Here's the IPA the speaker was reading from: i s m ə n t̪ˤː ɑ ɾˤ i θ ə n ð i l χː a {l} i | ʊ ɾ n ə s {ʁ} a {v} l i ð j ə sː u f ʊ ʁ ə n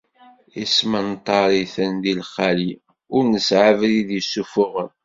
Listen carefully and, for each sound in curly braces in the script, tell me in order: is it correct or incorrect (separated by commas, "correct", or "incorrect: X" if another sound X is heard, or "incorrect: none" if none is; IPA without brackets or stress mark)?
correct, incorrect: ʕ, correct